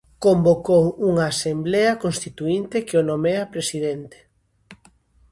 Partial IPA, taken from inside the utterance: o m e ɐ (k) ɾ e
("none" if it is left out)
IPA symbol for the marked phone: p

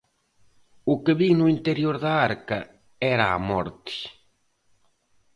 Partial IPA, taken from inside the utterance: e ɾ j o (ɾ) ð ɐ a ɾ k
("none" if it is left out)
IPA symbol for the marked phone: ɾ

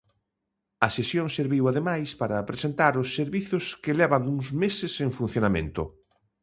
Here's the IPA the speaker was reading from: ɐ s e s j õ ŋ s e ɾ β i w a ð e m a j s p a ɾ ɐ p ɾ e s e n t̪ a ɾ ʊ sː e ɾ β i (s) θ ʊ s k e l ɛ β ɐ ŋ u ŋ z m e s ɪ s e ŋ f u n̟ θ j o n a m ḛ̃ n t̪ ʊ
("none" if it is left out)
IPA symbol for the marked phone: none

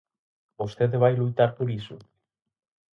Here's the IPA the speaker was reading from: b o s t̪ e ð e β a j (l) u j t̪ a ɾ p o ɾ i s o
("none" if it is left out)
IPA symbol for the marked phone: l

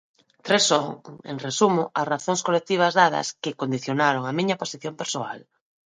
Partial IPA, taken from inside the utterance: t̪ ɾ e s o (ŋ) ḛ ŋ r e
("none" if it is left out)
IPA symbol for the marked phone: ŋ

